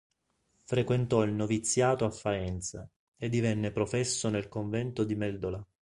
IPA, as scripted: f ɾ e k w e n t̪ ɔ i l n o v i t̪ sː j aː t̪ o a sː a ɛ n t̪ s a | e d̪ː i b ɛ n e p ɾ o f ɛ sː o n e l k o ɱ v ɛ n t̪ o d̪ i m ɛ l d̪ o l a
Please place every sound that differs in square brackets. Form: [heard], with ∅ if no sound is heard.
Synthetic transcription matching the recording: f ɾ e k w e n t̪ ɔ i l n o v i t̪ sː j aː t̪ o a [fː] a ɛ n t̪ s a | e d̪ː i [v] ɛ [nː] e p ɾ o f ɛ sː o n e l k o ɱ v ɛ n t̪ o d̪ i m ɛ l d̪ o l a